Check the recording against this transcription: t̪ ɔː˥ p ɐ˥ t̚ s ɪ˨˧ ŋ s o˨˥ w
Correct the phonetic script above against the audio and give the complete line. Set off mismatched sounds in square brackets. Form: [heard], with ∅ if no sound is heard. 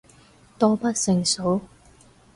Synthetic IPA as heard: t̪ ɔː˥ p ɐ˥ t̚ s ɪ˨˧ ŋ s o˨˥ w